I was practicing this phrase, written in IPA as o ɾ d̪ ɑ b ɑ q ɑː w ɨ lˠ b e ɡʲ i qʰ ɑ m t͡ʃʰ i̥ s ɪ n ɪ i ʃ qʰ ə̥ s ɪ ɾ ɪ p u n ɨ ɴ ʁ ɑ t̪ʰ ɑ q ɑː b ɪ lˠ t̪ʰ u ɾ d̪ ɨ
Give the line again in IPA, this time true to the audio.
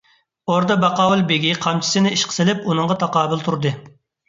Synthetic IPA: o ɾ d̪ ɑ b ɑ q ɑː w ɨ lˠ b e ɡʲ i qʰ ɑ m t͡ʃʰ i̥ s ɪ n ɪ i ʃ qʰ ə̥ s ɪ l ɪ p u n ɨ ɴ ʁ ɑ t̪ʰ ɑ q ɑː b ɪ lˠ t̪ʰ u ɾ d̪ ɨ